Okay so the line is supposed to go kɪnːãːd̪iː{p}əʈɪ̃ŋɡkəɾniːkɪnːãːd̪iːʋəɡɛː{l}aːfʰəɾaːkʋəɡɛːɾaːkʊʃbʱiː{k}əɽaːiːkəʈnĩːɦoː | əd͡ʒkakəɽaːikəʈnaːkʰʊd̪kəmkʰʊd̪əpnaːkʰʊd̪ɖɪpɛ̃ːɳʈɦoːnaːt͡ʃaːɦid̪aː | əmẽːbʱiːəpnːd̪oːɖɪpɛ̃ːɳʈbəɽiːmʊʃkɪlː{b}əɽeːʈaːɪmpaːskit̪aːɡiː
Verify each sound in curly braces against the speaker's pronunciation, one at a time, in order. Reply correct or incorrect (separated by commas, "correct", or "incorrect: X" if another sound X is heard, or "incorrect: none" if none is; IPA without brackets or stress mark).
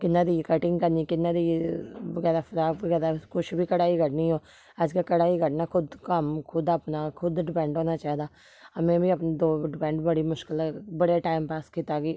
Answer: incorrect: k, incorrect: ɾ, correct, correct